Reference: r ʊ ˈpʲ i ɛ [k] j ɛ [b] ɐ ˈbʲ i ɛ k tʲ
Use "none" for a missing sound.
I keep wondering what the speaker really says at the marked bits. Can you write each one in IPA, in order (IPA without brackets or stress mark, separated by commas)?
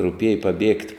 none, p